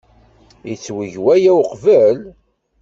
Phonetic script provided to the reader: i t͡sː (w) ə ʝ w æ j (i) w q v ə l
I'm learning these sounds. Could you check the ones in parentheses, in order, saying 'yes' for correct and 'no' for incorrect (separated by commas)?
yes, no